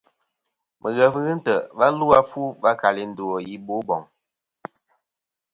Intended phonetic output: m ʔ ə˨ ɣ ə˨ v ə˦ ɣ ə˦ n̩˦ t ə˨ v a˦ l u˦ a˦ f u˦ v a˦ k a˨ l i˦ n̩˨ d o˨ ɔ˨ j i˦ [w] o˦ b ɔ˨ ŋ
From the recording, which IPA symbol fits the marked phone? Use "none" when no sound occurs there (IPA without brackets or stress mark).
b